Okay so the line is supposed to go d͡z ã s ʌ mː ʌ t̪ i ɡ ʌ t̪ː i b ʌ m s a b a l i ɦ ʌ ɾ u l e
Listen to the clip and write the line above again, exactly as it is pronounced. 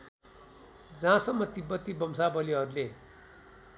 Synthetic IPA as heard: d͡z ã s ʌ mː ʌ t̪ i b ʌ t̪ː i b ʌ m s a b ʌ l i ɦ ʌ ɾ u l e